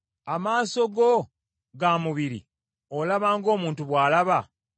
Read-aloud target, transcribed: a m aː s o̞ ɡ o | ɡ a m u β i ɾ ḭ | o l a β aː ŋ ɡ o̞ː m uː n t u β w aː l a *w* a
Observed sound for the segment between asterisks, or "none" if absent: β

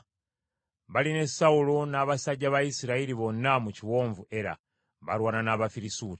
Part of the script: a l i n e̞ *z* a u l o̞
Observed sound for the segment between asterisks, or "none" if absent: s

